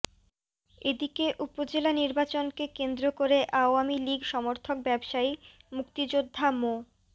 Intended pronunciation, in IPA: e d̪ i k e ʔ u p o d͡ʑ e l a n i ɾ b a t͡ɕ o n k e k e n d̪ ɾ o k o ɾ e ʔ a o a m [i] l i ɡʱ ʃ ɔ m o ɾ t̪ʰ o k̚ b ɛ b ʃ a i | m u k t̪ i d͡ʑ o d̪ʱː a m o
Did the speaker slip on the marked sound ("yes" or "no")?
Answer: no